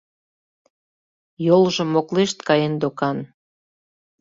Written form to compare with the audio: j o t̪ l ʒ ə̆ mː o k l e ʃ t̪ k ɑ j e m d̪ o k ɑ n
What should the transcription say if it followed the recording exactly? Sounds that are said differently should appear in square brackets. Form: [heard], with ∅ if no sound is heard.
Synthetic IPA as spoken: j o [∅] l ʒ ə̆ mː o k l e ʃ t̪ k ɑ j e [n] d̪ o k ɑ n